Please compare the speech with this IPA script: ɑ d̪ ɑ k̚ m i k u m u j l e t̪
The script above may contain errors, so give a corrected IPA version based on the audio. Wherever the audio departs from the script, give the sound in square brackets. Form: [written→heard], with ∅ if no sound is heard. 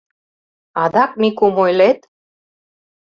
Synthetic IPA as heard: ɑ d̪ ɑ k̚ m i k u m [u→o] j l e t̪